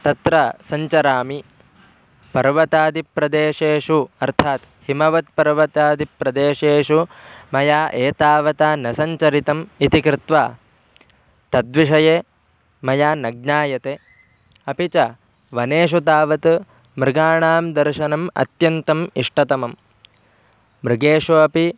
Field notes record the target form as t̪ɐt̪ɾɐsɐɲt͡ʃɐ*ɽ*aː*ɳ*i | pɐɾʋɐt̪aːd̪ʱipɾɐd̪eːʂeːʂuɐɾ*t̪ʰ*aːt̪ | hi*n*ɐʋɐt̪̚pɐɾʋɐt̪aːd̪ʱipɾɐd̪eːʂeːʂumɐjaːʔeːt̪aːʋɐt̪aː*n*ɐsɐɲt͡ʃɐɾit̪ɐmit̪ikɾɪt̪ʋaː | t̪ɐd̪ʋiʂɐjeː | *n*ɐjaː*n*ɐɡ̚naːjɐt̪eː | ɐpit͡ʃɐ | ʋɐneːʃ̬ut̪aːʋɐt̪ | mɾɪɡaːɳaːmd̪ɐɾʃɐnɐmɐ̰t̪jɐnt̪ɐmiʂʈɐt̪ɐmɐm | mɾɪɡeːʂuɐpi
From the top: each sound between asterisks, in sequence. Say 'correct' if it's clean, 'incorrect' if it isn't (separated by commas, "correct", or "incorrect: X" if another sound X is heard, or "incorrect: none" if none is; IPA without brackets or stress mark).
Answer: incorrect: ɾ, incorrect: m, correct, incorrect: m, correct, incorrect: m, correct